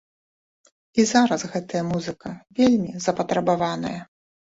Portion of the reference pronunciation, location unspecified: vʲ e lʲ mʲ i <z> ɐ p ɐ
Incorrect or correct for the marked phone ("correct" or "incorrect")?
correct